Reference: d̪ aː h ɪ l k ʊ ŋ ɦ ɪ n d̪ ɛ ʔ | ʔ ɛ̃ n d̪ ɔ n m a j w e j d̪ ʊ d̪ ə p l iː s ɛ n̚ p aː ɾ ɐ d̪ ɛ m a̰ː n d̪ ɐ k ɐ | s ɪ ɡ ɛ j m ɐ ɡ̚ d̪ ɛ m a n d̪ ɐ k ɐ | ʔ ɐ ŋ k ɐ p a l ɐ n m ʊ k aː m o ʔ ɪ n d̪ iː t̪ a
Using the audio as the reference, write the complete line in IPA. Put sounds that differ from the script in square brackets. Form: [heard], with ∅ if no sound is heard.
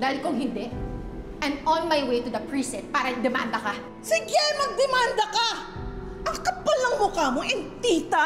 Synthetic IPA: d̪ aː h ɪ l k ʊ ŋ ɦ ɪ n d̪ ɛ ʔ | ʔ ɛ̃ n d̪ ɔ n m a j w e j [t̪] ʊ d̪ [ɐ] p [ɹ] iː s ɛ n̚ p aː ɾ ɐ d̪ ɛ m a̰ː n d̪ ɐ k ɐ | s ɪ ɡ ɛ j m ɐ ɡ̚ d̪ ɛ m a n d̪ ɐ k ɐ | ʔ ɐ ŋ k ɐ p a l ɐ [ŋ] m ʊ k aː m o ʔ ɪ n [t̪] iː t̪ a